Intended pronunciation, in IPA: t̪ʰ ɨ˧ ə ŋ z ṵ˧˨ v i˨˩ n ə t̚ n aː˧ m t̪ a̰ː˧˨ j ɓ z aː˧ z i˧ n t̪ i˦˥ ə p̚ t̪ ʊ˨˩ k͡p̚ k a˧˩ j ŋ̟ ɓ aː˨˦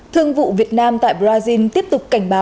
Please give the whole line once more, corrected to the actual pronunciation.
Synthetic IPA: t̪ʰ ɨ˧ ə ŋ v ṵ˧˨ v i˨˩ ə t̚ n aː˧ m t̪ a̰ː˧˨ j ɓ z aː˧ z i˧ n t̪ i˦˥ ə p̚ t̪ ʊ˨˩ k͡p̚ k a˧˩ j ŋ̟ ɓ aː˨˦